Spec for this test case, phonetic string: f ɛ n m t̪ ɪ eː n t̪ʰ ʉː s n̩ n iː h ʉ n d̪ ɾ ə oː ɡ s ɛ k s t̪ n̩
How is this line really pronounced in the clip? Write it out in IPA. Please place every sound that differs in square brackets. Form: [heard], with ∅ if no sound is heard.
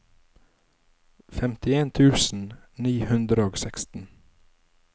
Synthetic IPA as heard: f ɛ [∅] m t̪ ɪ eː n t̪ʰ ʉː s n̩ n iː h ʉ n d̪ ɾ ə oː ɡ s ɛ k s t̪ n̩